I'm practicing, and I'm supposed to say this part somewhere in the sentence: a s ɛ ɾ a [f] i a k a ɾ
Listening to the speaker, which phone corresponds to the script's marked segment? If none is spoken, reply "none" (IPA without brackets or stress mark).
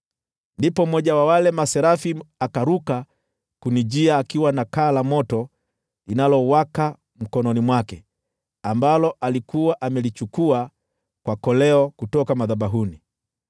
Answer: f